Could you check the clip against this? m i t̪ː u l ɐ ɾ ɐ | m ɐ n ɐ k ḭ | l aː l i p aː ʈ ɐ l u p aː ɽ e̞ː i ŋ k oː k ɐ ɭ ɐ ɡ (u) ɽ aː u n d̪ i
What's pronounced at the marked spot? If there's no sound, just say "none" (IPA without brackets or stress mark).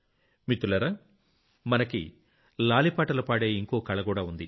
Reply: uː